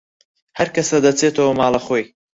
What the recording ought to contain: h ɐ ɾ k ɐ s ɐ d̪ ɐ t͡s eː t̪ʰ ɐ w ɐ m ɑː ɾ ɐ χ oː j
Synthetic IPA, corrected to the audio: h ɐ ɾ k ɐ s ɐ d̪ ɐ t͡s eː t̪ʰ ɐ w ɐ m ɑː l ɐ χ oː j